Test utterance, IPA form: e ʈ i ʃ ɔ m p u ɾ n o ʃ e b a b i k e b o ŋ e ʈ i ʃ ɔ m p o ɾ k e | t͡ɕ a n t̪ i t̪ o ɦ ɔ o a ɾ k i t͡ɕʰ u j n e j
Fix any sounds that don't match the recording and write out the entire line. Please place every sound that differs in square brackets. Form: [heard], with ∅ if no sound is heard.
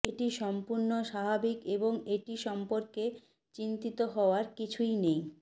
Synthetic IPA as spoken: e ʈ i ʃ ɔ m p u ɾ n o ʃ [a] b a b i k e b o ŋ e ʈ i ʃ ɔ m p o ɾ k e | t͡ɕ [i] n t̪ i t̪ o ɦ ɔ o a ɾ k i t͡ɕʰ u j n e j

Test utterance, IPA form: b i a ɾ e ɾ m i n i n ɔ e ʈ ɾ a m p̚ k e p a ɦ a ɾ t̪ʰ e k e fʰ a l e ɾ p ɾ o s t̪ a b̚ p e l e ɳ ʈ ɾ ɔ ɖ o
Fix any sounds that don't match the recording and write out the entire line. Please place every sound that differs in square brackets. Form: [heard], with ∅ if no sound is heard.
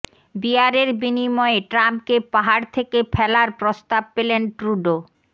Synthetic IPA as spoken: b i a ɾ e ɾ [b] i n i [m] ɔ e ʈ ɾ a m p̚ k e p a ɦ a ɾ t̪ʰ e k e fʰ [ɛ] l [a] ɾ p ɾ o s t̪ a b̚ p e l e [n] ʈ ɾ [u] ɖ o

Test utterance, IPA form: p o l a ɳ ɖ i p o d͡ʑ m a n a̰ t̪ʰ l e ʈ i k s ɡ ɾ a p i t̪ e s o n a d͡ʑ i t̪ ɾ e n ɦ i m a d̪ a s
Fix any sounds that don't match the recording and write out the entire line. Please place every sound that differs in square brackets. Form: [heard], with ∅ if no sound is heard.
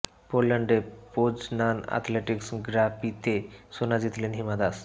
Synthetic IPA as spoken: p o l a ɳ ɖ [e] p o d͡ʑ [n] a n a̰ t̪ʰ l e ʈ i k s ɡ ɾ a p i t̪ e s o n a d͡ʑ i t̪ [l] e n ɦ i m a d̪ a s

